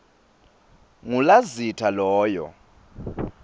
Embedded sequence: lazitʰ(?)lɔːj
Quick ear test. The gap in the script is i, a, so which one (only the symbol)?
a